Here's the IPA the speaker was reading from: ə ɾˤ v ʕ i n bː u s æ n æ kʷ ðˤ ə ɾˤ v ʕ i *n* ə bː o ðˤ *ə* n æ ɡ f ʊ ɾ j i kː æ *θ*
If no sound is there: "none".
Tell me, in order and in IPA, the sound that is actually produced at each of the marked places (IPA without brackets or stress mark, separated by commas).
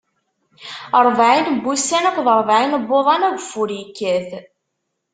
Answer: n, ɑ, θ